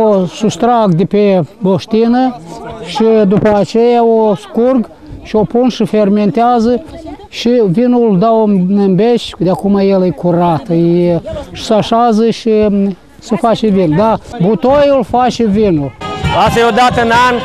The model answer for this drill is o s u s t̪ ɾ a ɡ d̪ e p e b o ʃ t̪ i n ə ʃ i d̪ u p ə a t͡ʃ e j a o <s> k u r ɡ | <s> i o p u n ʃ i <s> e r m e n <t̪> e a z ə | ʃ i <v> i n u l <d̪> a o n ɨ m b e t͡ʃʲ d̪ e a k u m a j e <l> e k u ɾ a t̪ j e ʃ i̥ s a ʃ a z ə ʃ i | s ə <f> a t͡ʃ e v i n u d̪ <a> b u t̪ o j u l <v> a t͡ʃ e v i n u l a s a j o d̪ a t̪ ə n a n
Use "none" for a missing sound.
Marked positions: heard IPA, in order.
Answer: s, ʃ, f, t̪, v, d̪, l, f, a, f

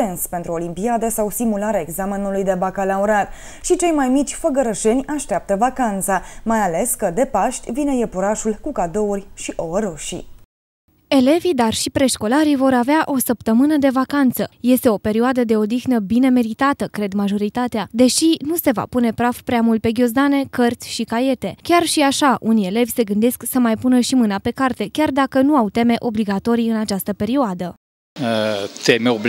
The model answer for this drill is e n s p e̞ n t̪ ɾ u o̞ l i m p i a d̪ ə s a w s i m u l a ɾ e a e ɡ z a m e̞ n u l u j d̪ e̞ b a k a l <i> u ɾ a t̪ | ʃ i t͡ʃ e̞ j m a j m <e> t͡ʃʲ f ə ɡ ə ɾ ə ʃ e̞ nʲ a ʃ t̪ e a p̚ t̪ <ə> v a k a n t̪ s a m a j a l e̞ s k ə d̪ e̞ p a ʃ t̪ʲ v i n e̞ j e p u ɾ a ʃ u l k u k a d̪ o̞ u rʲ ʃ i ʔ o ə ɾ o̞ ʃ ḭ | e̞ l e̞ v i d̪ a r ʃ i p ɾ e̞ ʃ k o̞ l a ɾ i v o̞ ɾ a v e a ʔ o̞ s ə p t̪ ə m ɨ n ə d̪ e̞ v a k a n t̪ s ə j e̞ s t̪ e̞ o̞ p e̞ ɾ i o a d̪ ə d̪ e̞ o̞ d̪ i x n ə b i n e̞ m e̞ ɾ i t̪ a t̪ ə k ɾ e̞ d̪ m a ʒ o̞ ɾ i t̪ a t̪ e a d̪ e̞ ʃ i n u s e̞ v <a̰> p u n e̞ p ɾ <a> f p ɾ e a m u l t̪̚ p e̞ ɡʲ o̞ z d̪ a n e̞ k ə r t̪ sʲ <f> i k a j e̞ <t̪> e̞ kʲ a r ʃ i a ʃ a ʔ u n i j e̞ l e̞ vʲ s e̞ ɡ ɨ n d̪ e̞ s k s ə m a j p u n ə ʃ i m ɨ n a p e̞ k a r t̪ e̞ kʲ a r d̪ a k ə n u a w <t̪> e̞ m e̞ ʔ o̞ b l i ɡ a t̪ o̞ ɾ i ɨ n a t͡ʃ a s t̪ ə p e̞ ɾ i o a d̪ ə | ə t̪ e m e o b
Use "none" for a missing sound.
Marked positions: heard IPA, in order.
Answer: a, i, ə, a̰, a, ʃ, t̪, t̪

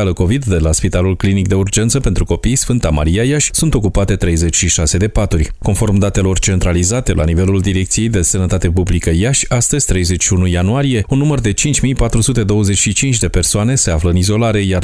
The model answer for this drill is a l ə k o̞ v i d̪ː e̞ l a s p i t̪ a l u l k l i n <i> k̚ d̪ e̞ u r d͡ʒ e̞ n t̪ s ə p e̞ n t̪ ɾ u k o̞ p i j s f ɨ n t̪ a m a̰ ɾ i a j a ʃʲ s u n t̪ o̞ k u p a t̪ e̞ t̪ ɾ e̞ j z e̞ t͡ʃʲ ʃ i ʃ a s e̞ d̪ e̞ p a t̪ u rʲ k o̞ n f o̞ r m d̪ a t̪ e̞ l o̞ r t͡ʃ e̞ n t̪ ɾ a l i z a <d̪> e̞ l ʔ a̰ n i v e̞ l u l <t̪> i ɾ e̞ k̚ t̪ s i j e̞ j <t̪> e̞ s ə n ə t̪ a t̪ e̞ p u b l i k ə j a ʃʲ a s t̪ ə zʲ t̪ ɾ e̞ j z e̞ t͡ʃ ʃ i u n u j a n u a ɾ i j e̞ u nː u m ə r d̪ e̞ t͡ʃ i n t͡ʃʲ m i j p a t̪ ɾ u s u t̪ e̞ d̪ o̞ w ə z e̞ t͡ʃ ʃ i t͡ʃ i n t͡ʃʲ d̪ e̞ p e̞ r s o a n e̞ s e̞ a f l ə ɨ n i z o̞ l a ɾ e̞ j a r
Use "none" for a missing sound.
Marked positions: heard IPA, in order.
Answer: i, t̪, d̪, d̪

